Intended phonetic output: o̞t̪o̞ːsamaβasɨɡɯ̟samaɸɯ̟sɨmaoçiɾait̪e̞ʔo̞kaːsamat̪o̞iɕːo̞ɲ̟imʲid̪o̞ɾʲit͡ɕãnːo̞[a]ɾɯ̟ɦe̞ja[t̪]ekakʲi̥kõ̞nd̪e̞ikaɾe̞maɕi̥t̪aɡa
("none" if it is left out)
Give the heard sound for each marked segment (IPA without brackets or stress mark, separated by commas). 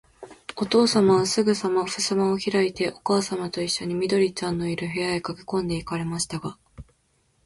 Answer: i, none